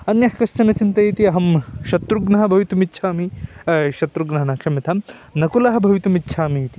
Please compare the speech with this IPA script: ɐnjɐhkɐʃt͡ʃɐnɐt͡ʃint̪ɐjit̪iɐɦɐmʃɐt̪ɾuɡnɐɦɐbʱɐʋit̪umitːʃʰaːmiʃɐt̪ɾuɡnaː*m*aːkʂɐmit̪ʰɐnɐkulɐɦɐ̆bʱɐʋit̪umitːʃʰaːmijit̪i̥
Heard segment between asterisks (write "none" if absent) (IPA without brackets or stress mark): n